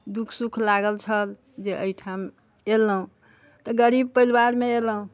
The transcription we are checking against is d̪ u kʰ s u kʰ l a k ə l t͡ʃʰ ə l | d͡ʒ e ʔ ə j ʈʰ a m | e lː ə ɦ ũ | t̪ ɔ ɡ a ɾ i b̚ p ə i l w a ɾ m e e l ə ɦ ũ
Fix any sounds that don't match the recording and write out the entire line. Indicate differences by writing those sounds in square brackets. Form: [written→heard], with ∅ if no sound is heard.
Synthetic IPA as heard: d̪ u kʰ s u kʰ l a [k→ɡ] ə l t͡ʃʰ ə l | d͡ʒ e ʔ ə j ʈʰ a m | e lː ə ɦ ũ | t̪ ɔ ɡ [a→ə] ɾ i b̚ p ə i l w a ɾ m e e l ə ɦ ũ